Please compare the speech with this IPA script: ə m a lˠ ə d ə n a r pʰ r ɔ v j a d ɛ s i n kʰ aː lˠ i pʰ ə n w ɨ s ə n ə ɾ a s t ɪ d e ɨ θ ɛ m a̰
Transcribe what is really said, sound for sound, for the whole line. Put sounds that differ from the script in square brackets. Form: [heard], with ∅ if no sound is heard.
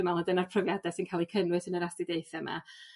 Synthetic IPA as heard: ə m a lˠ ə d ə n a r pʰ r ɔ v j a d ɛ s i n kʰ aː lˠ i [kʰ] ə n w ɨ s ə n ə ɾ a s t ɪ d e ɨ θ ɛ m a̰